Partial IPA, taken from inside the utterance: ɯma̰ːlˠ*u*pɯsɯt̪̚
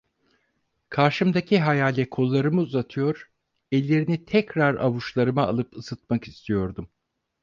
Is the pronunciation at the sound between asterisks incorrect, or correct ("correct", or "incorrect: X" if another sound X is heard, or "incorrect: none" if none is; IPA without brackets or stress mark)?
incorrect: ɯ